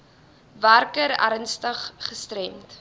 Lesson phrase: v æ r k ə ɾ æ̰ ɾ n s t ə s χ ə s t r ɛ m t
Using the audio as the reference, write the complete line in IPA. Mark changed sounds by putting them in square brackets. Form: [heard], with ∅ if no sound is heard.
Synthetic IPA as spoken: v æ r k ə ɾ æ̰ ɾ n s t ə [χ] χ ə s t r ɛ m t